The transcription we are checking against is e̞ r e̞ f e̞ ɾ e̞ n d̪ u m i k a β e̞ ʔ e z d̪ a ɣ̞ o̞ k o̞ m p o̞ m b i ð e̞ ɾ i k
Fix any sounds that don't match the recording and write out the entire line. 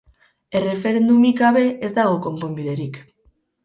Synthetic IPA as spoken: e̞ r e̞ f e̞ ɾ e̞ n d̪ u m i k a β e̞ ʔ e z d̪ a ɣ̞ o̞ k o̞ m p o̞ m b i ð e̞ ɾ i k